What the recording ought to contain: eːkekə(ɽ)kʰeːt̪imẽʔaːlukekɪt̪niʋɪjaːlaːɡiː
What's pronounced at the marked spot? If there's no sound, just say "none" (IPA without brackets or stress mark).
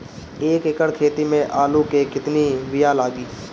ɽ